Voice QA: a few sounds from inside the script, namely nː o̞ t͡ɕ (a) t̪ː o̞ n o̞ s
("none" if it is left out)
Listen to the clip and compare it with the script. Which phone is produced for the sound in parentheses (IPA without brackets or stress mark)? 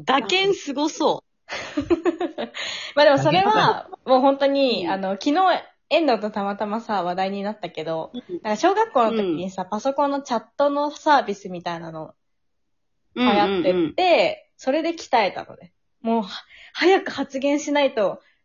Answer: a